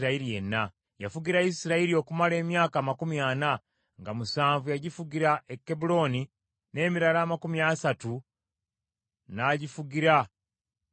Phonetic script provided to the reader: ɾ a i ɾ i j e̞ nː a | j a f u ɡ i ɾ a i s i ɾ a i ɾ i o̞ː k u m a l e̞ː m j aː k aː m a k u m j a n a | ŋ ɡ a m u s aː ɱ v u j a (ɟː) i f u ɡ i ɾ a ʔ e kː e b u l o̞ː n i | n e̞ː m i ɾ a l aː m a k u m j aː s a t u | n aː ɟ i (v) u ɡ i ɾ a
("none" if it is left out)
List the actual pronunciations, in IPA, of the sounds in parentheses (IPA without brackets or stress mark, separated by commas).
ɟ, f